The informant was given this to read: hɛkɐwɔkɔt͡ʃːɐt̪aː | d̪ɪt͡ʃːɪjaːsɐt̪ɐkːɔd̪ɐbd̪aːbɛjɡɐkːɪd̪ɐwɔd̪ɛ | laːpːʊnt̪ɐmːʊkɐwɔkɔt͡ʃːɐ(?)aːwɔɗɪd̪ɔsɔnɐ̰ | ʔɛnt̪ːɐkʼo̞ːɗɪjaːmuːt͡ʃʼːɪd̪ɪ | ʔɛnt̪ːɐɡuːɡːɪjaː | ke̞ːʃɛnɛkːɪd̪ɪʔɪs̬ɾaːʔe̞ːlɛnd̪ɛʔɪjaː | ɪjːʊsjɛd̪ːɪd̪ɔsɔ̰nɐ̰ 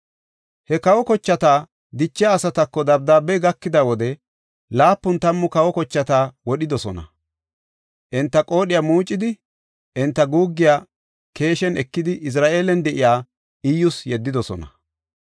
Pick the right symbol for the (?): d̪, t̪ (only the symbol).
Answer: t̪